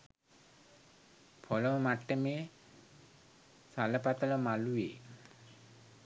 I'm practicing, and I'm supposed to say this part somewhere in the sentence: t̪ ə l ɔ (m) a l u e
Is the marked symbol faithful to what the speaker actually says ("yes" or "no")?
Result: yes